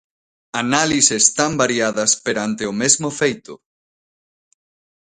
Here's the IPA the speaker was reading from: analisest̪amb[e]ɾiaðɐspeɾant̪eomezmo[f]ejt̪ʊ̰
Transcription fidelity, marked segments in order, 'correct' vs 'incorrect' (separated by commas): incorrect, correct